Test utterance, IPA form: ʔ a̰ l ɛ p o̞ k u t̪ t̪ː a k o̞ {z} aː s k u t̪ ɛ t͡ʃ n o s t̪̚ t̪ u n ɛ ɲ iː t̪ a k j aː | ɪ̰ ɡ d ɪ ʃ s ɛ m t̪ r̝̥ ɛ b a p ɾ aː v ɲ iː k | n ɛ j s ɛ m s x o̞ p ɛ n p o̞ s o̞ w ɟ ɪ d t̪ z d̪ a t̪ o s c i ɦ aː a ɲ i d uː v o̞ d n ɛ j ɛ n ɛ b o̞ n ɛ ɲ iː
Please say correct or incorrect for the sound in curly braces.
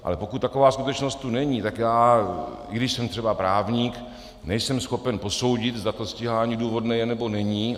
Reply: incorrect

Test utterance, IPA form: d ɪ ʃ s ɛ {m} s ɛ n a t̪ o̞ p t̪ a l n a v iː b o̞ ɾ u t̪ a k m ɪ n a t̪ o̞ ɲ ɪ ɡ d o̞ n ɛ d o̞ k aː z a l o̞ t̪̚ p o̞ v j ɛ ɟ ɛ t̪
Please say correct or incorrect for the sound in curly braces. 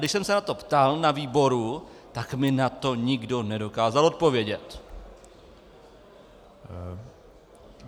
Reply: correct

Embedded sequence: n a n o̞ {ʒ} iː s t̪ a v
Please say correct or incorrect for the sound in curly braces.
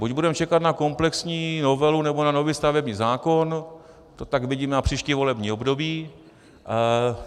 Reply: incorrect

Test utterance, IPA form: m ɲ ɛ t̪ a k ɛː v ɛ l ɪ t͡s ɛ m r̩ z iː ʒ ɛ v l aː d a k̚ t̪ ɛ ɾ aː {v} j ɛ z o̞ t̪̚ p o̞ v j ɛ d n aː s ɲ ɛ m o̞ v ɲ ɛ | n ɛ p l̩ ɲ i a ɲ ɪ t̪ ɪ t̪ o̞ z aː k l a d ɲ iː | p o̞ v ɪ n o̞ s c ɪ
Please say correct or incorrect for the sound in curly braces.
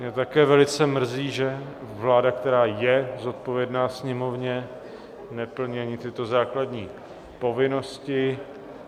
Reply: incorrect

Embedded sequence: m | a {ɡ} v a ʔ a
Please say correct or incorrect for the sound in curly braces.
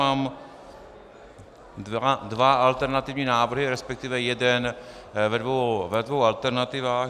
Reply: incorrect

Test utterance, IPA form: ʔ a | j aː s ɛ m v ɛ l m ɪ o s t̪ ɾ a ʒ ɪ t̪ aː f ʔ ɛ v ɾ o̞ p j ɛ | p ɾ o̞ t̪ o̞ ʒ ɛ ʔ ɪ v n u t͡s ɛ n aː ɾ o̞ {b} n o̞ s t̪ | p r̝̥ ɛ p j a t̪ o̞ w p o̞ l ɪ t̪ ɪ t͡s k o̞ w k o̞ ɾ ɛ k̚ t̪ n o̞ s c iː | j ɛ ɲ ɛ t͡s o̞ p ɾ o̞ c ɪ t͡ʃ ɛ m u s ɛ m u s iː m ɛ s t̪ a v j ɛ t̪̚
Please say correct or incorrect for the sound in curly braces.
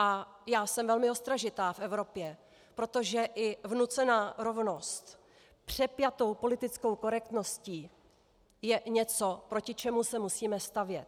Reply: incorrect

